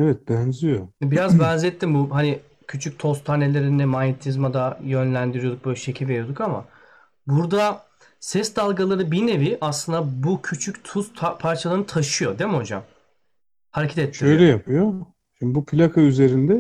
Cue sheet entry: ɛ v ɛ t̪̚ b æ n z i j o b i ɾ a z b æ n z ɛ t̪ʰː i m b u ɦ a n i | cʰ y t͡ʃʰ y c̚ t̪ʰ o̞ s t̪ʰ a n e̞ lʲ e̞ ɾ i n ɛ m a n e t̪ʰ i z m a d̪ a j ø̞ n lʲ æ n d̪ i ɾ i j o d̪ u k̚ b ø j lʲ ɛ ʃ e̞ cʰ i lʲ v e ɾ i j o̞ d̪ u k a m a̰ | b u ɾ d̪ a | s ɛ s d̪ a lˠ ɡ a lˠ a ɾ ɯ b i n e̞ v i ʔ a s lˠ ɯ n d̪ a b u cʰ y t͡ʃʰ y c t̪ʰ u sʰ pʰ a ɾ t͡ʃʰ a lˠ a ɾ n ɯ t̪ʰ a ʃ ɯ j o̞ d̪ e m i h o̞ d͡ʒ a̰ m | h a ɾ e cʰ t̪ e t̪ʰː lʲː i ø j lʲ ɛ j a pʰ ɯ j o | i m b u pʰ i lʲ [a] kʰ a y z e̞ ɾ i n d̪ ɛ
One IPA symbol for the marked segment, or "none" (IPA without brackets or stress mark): a